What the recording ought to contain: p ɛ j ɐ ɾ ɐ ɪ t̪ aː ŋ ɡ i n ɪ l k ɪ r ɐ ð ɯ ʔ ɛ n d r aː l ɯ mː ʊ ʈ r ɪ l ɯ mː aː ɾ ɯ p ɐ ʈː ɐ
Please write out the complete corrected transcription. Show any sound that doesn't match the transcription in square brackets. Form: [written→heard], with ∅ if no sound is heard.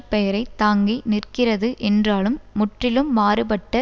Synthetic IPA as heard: p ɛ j ɐ ɾ ɐ ɪ t̪ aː ŋ ɡ i n ɪ [l→r] k ɪ r ɐ ð ɯ ʔ ɛ n d r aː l ɯ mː ʊ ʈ r ɪ l ɯ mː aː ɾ ɯ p ɐ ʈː ɐ